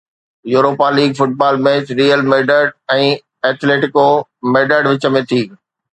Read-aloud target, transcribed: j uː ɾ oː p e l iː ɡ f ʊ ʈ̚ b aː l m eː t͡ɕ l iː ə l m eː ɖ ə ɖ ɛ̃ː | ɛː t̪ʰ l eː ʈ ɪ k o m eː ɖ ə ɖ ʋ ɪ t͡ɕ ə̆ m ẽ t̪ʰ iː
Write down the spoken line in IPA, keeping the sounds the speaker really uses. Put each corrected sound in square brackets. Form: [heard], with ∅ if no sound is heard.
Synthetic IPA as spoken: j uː ɾ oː p [a] l iː ɡ f ʊ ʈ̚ b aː l m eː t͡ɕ [ɾ] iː ə l m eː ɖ ə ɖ ɛ̃ː | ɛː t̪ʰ l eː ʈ ɪ k o m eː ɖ ə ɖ ʋ ɪ t͡ɕ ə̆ m ẽ t̪ʰ iː